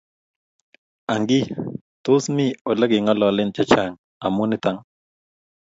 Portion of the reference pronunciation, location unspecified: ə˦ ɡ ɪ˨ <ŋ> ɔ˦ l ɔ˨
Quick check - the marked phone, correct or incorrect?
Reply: correct